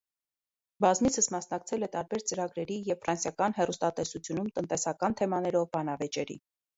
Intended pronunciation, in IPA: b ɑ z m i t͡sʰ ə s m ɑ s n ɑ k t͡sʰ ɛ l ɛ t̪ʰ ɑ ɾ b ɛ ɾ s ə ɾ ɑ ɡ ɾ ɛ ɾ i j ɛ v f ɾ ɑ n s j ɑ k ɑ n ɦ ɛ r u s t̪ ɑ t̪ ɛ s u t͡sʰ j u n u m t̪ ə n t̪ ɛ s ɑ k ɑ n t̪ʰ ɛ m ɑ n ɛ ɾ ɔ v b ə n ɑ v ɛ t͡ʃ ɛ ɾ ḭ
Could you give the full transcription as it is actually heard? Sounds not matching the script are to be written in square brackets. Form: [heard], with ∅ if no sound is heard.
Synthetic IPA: b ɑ z m i t͡sʰ ə s m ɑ s n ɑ k t͡sʰ ɛ l ɛ [t̪] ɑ ɾ b ɛ ɾ [t͡s] ə ɾ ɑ ɡ ɾ ɛ ɾ i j ɛ v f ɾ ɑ n s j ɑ k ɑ n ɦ ɛ r u s t̪ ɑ t̪ ɛ s u t͡sʰ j u n u m t̪ ə n t̪ ɛ s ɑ k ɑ n t̪ʰ ɛ m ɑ n ɛ ɾ ɔ v b [ɑ] n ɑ v ɛ t͡ʃ ɛ ɾ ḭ

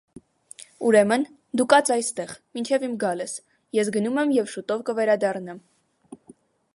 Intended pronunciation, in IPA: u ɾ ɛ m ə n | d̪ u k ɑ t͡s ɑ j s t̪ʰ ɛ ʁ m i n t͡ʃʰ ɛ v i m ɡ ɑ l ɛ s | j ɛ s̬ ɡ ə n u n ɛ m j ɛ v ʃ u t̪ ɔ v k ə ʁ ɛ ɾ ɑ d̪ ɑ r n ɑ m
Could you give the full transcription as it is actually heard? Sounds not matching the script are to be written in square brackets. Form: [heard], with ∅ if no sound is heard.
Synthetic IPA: u ɾ ɛ m ə n | d̪ u k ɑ t͡s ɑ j s [t̪] ɛ ʁ m i n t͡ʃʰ ɛ v i m ɡ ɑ l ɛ s | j ɛ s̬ ɡ ə n u [m] ɛ m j ɛ v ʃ u t̪ ɔ v k ə [v] ɛ ɾ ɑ d̪ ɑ r n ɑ m

